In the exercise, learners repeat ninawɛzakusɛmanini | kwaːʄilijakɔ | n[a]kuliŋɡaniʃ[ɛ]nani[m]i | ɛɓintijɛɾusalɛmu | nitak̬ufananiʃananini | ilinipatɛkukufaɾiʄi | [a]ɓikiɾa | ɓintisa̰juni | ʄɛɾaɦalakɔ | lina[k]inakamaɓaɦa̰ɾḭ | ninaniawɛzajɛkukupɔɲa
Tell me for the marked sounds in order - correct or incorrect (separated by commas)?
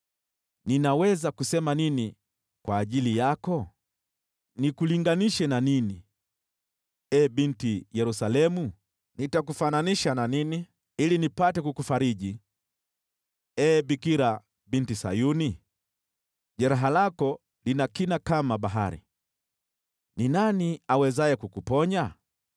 incorrect, correct, incorrect, incorrect, correct